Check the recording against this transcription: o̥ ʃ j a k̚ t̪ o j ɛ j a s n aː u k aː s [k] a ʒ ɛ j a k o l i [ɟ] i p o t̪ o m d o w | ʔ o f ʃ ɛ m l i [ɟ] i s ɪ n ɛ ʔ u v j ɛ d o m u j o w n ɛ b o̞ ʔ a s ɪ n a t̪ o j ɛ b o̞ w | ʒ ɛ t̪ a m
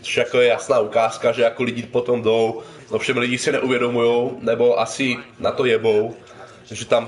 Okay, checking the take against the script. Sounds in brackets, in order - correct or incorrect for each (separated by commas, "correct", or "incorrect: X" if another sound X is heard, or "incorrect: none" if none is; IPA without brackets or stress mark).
correct, correct, correct